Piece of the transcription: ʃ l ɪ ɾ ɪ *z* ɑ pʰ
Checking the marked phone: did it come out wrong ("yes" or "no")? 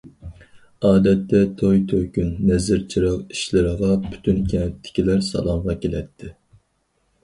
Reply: yes